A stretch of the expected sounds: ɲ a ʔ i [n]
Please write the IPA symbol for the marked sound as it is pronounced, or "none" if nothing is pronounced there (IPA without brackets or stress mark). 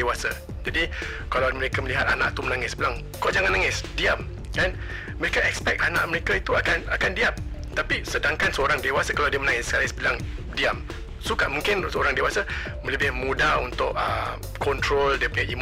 m